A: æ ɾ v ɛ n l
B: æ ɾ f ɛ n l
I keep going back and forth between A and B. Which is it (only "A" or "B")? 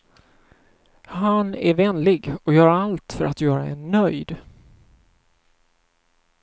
A